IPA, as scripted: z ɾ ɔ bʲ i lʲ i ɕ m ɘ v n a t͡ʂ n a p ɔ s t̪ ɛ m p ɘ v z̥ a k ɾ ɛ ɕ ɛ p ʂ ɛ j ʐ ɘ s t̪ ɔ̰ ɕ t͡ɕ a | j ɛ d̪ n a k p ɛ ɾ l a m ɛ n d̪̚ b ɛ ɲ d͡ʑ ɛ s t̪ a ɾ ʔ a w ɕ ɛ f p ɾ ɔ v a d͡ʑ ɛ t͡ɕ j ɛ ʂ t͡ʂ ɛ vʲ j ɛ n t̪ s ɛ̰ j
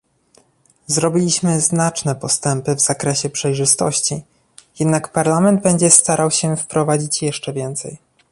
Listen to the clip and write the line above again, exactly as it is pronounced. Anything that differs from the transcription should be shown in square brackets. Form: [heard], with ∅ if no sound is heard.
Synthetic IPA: z ɾ ɔ bʲ i lʲ i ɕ m ɘ [z] n a t͡ʂ n [ɛ] p ɔ s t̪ ɛ m p ɘ v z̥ a k ɾ ɛ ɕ ɛ p ʂ ɛ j ʐ ɘ s t̪ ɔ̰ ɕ t͡ɕ [i] | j ɛ d̪ n a k p [a] ɾ l a m ɛ n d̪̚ b ɛ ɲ d͡ʑ ɛ s t̪ a ɾ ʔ a w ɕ ɛ f p ɾ ɔ v a d͡ʑ [i] t͡ɕ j ɛ ʂ t͡ʂ ɛ vʲ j ɛ n t̪ s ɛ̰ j

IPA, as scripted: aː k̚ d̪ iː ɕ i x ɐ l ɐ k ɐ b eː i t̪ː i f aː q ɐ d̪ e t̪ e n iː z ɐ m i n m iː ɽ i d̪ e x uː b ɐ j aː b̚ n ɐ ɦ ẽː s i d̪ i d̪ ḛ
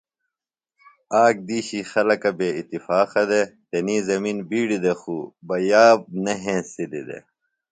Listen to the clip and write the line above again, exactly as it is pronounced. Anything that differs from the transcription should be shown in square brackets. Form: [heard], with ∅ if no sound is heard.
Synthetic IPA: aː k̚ d̪ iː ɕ i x ɐ l ɐ k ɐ b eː i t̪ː i f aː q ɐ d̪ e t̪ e n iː z ɐ m i n [b] iː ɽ i d̪ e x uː b ɐ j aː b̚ n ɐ ɦ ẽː s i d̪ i d̪ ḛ

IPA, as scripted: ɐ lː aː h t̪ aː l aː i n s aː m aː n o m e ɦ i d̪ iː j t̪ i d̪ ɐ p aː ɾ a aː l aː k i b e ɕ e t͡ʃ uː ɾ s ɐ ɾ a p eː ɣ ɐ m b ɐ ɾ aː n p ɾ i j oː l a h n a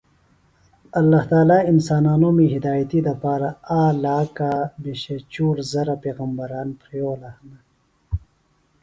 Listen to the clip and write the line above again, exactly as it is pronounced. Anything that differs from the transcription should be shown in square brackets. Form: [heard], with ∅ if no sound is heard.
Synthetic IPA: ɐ lː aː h t̪ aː l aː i n s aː [n] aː n o m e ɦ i d̪ [aː] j t̪ i d̪ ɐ p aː ɾ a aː l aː k [a] b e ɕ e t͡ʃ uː ɾ [z] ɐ ɾ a p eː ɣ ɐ m b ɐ ɾ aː n p ɾ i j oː l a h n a

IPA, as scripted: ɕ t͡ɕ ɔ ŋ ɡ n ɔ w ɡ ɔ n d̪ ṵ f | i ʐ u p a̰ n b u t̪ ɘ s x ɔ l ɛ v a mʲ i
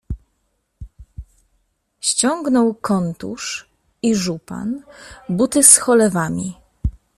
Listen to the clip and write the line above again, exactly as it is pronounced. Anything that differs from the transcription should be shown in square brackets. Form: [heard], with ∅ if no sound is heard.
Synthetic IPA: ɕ t͡ɕ ɔ ŋ ɡ n ɔ w [k] ɔ n [t̪] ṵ [ʂ] | i ʐ u p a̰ n b u t̪ ɘ s x ɔ l ɛ v a mʲ i

